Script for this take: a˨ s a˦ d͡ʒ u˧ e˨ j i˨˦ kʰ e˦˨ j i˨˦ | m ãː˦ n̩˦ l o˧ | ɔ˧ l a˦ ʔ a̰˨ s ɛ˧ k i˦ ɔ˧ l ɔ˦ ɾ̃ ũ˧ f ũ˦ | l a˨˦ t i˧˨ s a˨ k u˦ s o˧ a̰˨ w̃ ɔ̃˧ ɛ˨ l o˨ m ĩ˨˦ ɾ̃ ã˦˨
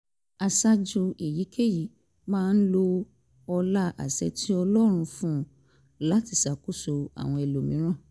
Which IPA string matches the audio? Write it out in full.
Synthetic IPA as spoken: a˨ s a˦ d͡ʒ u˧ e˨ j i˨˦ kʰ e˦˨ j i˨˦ | m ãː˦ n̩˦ l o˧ | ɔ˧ l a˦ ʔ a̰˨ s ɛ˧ t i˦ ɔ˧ l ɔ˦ ɾ̃ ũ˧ f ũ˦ | l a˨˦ t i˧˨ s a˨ k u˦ s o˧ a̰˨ w̃ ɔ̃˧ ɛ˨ l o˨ m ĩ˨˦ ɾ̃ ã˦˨

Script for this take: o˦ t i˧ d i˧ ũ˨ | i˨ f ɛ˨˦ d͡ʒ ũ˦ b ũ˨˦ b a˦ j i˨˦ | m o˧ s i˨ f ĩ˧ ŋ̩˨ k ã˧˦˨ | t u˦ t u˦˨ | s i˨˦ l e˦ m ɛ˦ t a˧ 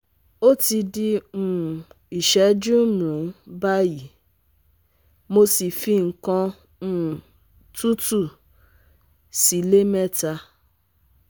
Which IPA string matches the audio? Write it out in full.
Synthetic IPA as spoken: o˦ t i˧ d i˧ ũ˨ | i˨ ʃ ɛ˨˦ d͡ʒ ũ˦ m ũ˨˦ b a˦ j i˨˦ | m o˧ s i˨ f i˧ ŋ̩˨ k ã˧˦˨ | t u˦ t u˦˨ | s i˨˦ l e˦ m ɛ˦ t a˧

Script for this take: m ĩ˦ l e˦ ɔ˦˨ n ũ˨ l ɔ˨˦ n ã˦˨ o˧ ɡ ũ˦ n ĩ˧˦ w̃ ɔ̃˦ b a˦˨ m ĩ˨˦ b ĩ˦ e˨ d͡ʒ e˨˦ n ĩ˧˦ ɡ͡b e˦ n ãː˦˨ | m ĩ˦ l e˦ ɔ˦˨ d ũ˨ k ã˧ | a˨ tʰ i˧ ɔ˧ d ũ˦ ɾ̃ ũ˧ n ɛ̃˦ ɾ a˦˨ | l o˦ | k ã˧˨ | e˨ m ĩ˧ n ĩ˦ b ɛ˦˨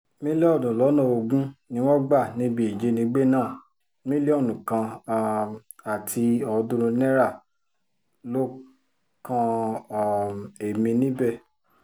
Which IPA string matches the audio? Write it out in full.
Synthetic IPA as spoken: m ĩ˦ l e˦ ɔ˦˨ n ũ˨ l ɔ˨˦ n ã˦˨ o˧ ɡ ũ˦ n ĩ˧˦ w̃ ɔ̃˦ ɡ͡b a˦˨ n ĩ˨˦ b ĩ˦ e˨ d͡ʒ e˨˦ n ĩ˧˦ ɡ͡b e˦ n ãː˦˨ | m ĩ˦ l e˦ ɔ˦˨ n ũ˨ k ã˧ | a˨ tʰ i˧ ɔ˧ d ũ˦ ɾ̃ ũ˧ n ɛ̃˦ ɾ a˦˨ | l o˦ | k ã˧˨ | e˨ m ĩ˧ n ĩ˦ b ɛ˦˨

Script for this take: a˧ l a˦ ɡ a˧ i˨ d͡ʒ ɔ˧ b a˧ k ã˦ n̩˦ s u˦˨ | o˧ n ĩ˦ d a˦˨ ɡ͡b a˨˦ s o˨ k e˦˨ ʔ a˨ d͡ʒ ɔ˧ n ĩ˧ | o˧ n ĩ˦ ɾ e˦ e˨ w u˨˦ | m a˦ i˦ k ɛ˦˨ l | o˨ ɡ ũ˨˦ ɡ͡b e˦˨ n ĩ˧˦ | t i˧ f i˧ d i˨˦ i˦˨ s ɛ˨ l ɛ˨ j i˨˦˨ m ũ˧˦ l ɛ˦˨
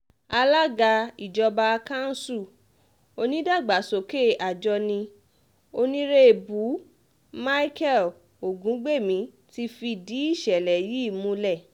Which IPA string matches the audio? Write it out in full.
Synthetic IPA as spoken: a˧ l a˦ ɡ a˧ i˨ d͡ʒ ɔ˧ b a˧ k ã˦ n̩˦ s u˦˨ | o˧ n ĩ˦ d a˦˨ ɡ͡b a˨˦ s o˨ k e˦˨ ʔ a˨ d͡ʒ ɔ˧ n ĩ˧ | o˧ n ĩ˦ ɾ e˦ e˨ b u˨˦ | m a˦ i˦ k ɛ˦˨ l | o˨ ɡ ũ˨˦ ɡ͡b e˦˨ m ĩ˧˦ | t i˧ f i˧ d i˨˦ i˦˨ ʃ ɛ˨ l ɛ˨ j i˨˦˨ m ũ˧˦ l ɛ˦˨

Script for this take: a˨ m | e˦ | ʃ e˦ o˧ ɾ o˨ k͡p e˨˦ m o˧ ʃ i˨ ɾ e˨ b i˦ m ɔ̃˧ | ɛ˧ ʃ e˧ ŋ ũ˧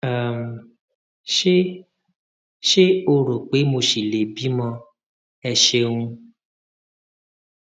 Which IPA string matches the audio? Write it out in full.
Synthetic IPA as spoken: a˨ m | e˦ | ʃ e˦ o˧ ɾ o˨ k͡p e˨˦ m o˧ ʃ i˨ l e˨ b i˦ m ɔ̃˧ | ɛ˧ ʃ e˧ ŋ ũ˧

